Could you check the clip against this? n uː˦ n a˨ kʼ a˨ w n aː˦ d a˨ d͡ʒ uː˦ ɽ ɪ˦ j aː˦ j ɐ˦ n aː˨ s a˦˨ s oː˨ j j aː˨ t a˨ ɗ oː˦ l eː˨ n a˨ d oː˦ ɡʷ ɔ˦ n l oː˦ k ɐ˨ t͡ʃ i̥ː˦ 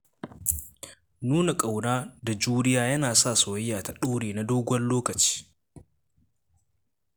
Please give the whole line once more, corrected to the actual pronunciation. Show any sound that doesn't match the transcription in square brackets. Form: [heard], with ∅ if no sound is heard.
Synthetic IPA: n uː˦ n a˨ kʼ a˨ w n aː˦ d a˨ d͡ʒ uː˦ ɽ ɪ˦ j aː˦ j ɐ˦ n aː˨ s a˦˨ s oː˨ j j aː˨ t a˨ ɗ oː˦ [ɽ] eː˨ n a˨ d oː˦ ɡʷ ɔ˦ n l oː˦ k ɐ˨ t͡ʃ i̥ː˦